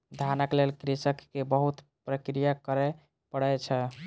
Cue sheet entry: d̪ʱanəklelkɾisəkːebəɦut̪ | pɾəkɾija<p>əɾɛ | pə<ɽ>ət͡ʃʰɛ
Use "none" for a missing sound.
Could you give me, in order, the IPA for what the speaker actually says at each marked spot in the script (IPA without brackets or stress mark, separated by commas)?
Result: k, ɽ